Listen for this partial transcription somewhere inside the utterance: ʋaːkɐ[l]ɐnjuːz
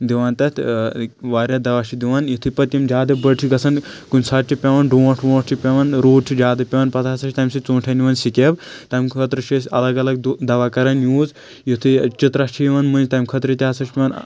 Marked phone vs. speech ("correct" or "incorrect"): incorrect